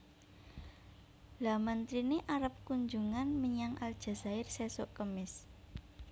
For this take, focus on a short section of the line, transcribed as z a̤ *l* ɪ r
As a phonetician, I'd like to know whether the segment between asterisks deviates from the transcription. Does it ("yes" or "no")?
yes